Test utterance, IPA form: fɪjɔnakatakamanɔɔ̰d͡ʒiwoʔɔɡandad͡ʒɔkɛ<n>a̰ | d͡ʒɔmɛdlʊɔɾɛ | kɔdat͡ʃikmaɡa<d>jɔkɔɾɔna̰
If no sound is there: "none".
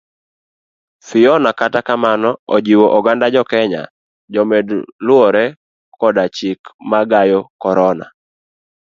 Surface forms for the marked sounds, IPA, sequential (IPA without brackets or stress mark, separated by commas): ɲ, none